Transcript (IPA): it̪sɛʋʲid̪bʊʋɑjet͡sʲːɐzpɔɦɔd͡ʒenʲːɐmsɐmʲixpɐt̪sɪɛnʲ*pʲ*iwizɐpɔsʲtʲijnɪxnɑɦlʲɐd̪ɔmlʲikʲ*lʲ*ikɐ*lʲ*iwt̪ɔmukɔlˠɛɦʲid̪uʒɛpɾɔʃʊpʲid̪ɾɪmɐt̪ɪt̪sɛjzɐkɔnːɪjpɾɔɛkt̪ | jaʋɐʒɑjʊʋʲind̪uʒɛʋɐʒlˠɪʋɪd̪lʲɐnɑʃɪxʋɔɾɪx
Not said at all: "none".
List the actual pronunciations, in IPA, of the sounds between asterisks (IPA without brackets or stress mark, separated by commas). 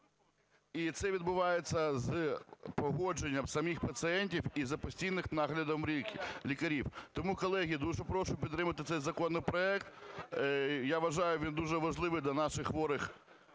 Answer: tʲ, lʲ, ɾʲ